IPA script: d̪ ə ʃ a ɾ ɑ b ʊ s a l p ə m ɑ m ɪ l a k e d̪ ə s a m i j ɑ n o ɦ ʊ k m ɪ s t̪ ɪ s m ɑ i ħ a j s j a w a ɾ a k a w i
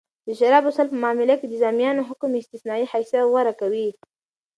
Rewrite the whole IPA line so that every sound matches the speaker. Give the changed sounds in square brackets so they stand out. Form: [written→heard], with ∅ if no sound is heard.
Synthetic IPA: d̪ ə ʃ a ɾ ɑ b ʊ s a l p ə m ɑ m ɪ l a k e d̪ ə [s→z] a m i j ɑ n o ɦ ʊ k m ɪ s t̪ ɪ s [m→n] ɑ i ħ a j s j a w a ɾ a k a w i